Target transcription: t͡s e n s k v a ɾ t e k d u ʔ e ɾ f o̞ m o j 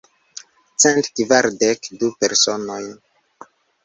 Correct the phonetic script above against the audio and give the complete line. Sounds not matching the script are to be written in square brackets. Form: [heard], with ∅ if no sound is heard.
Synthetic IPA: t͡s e n [t] k v a ɾ [d] e k d u [p] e ɾ [s] o̞ [n] o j